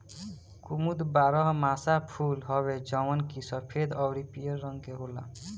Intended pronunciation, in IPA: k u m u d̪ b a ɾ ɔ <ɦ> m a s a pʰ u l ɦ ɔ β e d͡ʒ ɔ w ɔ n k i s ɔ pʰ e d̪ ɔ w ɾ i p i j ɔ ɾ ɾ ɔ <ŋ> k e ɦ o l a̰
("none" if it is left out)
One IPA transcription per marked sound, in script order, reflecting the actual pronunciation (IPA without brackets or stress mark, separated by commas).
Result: ɦ, ŋ